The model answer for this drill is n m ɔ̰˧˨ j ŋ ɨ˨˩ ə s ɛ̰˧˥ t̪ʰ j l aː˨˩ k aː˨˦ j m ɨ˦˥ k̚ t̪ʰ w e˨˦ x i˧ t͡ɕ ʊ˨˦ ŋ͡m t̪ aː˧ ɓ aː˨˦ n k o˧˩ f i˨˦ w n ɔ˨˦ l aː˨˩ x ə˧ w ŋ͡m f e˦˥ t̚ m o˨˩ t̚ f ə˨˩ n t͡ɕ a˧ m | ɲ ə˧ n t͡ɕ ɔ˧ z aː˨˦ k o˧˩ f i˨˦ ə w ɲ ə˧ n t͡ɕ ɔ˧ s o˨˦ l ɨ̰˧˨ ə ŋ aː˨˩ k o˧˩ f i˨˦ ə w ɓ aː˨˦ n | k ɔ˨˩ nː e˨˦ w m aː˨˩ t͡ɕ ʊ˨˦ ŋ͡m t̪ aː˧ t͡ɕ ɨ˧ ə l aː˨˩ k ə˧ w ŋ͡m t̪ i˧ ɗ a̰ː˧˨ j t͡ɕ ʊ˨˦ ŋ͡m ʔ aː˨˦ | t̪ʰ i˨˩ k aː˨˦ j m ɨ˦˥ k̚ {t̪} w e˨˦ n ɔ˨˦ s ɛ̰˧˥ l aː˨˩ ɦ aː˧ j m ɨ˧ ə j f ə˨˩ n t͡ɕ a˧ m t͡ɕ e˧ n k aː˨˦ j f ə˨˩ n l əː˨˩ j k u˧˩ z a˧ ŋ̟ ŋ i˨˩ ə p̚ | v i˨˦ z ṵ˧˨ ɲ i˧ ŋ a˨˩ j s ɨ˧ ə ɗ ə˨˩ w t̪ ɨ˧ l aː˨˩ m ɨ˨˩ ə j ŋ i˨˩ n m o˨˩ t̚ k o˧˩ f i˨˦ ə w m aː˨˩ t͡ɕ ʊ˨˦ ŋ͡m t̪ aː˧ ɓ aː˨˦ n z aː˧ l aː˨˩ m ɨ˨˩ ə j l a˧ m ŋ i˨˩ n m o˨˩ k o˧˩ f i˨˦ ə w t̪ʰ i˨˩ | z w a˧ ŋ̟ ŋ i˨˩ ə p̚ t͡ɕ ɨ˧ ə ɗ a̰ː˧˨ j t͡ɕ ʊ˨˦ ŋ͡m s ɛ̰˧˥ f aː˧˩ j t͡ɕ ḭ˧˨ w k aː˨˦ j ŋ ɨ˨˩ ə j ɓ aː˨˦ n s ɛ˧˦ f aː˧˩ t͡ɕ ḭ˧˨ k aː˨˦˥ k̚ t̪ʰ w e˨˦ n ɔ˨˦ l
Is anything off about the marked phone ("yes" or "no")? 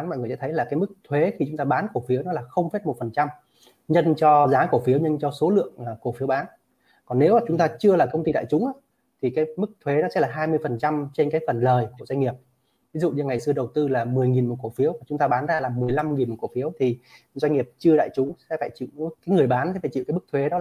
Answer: yes